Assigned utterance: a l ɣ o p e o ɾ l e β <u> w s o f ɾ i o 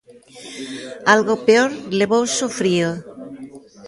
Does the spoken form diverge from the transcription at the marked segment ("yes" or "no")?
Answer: yes